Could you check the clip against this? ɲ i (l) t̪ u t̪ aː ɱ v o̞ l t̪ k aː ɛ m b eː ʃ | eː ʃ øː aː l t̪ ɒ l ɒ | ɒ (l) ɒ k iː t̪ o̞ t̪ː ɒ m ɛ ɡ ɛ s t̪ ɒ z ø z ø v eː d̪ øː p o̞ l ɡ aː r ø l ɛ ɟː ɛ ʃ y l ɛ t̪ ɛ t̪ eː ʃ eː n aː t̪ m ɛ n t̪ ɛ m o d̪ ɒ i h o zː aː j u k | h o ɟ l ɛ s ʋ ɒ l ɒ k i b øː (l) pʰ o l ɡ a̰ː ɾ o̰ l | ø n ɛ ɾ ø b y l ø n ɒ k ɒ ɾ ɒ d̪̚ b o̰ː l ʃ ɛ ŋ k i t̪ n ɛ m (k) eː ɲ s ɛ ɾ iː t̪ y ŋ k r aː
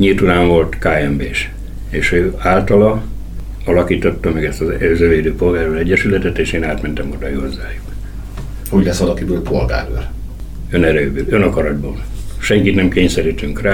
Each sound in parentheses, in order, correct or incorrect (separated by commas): correct, correct, correct, correct